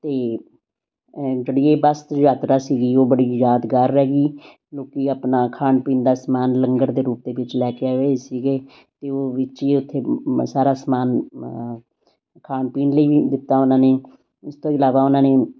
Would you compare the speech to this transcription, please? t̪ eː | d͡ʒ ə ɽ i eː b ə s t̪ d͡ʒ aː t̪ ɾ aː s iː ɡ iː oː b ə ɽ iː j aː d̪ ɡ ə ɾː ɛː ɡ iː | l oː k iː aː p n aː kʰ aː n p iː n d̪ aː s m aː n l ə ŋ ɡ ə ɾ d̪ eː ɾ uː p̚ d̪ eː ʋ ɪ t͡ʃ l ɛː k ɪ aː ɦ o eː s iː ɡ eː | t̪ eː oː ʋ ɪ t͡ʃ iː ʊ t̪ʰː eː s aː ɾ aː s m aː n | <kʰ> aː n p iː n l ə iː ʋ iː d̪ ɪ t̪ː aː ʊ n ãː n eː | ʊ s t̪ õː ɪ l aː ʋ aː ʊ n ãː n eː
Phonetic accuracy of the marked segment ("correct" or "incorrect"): correct